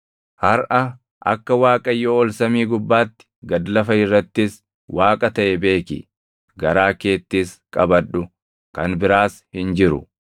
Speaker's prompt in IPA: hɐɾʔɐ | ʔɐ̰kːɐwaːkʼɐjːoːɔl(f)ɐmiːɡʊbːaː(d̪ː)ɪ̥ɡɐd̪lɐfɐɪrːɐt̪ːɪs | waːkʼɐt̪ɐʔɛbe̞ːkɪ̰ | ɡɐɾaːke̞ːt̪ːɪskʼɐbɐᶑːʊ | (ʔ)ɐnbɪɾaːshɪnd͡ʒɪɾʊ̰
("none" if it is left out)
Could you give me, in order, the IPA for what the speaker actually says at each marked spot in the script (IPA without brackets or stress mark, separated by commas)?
s, t̪ː, k